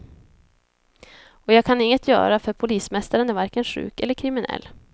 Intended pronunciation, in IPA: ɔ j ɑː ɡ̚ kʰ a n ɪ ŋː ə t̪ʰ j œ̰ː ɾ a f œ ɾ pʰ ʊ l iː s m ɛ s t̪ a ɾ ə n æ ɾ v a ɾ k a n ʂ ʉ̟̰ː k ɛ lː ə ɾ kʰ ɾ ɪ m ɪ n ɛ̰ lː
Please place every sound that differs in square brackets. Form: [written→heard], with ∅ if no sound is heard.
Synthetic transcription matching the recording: ɔ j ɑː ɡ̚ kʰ a n ɪ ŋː ə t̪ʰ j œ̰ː ɾ a f œ ɾ pʰ ʊ l iː s m ɛ s t̪ a ɾ ə n æ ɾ v a ɾ k [a→ə] n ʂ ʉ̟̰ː k ɛ lː ə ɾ kʰ ɾ ɪ m ɪ n ɛ̰ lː